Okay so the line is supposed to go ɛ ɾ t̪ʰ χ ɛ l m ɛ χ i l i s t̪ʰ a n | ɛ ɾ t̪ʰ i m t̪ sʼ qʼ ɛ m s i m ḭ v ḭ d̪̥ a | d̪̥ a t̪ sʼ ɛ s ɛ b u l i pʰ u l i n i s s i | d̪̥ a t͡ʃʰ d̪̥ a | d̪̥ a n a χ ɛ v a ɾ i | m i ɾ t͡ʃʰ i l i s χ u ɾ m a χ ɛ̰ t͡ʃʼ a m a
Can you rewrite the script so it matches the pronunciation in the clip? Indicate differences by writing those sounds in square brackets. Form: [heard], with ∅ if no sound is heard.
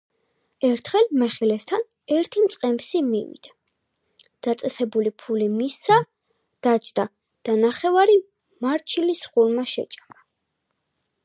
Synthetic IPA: ɛ ɾ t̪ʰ χ ɛ l m ɛ χ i l [ɛ] s t̪ʰ a n | ɛ ɾ t̪ʰ i m t̪ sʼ qʼ ɛ m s i m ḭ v ḭ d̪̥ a | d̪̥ a t̪ sʼ ɛ s ɛ b u l i pʰ u l i [m] i s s [a] | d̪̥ a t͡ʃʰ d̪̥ a | d̪̥ a n a χ ɛ v a ɾ i | m [a] ɾ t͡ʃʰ i l i s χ u ɾ m a [ʃ] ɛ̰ t͡ʃʼ a m a